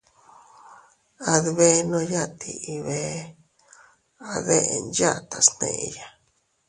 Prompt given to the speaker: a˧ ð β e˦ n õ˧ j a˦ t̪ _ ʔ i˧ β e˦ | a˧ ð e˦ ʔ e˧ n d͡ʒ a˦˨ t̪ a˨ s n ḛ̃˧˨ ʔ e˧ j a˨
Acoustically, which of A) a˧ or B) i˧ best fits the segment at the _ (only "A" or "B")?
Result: B